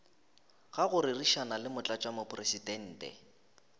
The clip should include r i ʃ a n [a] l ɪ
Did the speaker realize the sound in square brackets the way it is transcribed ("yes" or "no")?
yes